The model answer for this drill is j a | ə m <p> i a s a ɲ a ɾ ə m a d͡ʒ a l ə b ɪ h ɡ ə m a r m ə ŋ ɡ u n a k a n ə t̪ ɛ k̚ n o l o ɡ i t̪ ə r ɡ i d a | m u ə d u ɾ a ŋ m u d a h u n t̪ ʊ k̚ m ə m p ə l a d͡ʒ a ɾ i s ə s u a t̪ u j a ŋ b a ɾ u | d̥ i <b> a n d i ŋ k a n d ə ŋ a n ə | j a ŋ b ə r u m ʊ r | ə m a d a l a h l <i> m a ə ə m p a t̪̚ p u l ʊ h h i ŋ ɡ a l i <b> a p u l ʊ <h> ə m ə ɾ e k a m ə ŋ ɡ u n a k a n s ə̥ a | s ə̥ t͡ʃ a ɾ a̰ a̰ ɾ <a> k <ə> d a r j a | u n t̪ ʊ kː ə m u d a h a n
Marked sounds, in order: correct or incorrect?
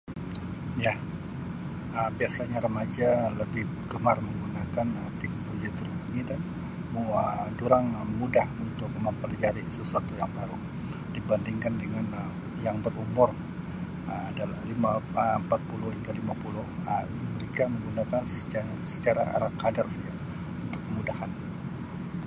incorrect, correct, correct, incorrect, correct, correct, incorrect

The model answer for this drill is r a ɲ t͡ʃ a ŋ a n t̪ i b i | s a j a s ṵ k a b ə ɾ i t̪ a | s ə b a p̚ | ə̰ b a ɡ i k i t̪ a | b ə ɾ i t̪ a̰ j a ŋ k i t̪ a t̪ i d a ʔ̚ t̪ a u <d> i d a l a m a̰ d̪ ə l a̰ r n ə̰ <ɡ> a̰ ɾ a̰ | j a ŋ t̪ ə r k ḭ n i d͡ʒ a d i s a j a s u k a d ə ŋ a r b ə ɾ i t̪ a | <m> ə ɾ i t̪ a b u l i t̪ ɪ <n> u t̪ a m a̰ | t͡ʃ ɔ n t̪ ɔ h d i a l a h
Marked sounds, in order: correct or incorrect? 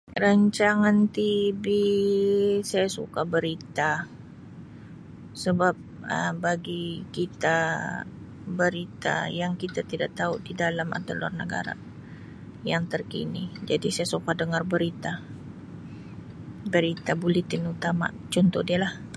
correct, correct, incorrect, correct

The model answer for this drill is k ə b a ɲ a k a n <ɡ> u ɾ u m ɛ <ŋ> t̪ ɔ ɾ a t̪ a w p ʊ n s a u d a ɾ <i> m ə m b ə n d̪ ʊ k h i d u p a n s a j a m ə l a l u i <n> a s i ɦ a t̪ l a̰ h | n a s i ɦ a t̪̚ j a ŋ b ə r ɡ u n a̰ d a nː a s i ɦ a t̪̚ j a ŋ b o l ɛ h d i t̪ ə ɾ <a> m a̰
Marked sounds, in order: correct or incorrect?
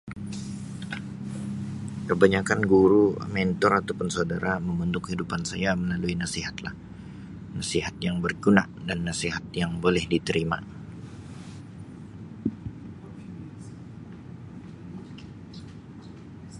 correct, incorrect, incorrect, correct, incorrect

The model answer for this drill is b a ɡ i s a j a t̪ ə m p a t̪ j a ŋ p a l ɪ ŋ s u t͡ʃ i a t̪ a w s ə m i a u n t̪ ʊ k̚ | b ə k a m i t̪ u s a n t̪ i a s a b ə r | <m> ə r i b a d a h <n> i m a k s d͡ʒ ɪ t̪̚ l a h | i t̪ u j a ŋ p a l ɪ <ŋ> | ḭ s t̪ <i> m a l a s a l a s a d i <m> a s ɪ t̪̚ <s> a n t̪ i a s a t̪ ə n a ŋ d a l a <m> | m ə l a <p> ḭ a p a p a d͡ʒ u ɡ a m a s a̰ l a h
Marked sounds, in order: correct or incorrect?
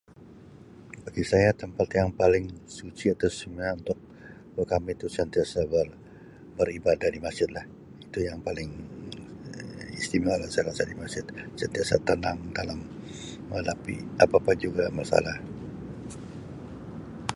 incorrect, incorrect, correct, correct, correct, correct, correct, correct

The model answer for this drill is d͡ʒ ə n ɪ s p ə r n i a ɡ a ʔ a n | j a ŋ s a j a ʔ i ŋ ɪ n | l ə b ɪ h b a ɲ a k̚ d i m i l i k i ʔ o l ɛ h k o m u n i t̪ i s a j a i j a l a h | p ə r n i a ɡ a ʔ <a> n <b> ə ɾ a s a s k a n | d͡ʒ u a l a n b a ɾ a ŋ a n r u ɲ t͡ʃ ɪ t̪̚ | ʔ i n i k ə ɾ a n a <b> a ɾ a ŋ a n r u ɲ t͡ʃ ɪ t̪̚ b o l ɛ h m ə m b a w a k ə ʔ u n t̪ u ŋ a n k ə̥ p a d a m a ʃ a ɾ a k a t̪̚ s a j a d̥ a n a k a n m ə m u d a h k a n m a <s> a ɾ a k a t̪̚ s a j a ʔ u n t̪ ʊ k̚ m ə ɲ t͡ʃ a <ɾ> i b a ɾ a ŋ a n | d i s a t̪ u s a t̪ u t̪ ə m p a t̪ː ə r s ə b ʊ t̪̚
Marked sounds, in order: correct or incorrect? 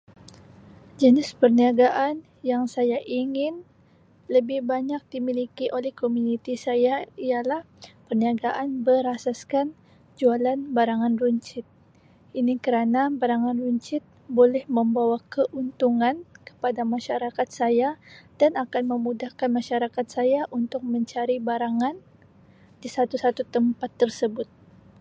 correct, correct, correct, incorrect, correct

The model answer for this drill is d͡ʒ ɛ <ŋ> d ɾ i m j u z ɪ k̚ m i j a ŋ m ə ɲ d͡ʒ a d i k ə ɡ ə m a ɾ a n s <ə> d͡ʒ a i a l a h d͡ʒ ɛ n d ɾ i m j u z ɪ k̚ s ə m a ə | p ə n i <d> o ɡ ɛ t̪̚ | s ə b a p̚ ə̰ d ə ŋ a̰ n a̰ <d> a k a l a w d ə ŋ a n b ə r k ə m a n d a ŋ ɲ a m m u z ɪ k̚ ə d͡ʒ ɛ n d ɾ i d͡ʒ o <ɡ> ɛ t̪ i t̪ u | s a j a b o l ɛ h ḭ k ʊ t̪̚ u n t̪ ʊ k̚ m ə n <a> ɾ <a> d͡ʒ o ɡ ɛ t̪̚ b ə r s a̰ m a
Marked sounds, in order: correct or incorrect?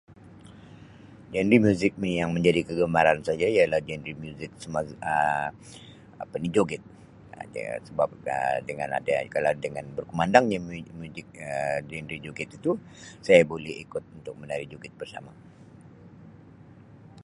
incorrect, incorrect, incorrect, correct, correct, correct, incorrect

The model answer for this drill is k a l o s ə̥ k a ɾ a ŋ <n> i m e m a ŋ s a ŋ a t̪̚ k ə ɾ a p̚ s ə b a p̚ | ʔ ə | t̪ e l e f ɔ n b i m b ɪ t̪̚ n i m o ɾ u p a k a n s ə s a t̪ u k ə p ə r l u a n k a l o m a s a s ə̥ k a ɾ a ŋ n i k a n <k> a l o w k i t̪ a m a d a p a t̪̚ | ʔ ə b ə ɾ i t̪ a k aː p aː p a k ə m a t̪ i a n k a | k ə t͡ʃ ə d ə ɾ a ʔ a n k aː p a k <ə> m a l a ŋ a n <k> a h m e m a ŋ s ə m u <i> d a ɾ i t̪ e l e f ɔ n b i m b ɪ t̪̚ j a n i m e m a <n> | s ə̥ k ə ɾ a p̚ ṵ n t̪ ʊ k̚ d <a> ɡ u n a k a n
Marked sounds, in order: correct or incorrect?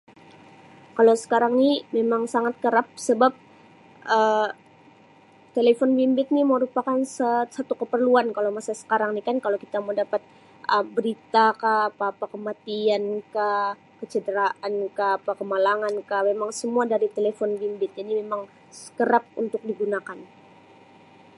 correct, correct, correct, correct, incorrect, incorrect, incorrect

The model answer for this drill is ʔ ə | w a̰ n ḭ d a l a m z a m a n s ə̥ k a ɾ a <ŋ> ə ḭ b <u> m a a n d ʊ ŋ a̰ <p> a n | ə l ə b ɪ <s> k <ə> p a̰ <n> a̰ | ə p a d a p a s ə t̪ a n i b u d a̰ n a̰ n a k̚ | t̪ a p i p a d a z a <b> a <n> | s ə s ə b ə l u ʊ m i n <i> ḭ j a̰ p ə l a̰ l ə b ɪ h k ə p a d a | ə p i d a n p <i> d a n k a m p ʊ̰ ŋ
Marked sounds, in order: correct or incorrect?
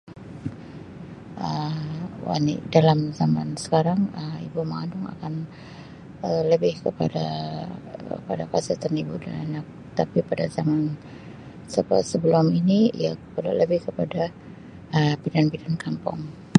correct, correct, incorrect, incorrect, correct, incorrect, incorrect, correct, correct, correct

